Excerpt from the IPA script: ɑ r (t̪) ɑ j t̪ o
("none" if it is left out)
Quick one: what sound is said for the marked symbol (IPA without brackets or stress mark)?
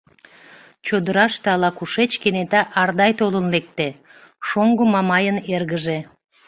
d̪